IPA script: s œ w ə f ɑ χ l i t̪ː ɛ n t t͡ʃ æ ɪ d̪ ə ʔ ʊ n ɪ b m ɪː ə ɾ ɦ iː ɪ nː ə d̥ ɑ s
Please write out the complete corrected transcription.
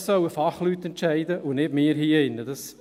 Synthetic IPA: s œ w ə f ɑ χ l y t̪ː ɛ n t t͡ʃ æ ɪ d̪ ə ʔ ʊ n ɪ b m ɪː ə ɾ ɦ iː ɪ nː ə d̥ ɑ s